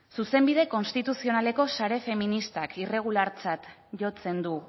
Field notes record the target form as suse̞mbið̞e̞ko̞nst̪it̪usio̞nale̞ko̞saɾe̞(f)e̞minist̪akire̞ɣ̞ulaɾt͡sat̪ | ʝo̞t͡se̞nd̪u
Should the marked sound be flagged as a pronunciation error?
no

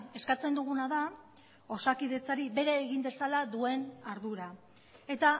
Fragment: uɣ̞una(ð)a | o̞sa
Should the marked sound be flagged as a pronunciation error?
no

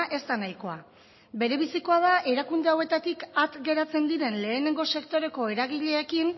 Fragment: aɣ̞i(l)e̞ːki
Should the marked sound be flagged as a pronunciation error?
yes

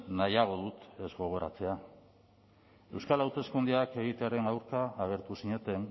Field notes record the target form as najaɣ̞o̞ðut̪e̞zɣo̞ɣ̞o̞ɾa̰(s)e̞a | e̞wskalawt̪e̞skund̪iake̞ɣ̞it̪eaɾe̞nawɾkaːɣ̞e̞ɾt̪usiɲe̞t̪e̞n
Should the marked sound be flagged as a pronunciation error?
yes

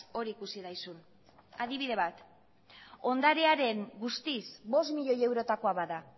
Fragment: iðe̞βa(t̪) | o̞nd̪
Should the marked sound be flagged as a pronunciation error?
no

